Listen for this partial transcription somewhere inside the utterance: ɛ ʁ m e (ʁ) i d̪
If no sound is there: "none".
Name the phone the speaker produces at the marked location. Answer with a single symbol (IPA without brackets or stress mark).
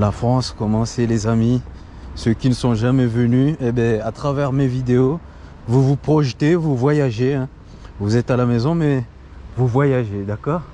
v